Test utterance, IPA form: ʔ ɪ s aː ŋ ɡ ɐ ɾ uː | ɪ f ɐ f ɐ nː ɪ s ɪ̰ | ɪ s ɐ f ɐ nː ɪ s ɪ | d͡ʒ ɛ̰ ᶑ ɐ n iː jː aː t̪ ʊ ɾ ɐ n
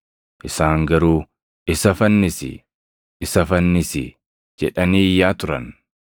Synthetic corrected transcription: ʔ ɪ s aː ŋ ɡ ɐ ɾ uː | ɪ s ɐ f ɐ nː ɪ s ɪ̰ | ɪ s ɐ f ɐ nː ɪ s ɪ | d͡ʒ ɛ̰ ᶑ ɐ n iː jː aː t̪ ʊ ɾ ɐ n